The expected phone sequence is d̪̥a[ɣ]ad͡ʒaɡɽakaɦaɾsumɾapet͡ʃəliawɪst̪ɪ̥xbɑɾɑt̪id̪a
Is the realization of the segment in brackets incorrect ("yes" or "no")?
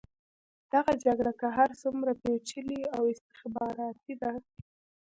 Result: no